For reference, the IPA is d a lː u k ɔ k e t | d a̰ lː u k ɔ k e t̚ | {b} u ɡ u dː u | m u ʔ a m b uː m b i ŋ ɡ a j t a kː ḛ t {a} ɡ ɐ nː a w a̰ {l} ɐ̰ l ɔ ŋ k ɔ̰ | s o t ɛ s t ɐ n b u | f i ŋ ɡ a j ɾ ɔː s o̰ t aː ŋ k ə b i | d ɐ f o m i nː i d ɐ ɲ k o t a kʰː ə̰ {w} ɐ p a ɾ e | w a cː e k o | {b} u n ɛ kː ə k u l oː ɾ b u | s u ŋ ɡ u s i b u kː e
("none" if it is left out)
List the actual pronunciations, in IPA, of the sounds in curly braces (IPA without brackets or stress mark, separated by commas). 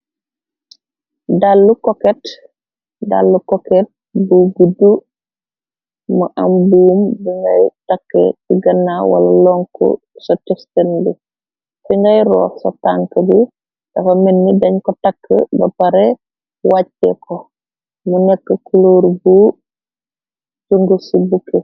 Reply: b, i, l, b, m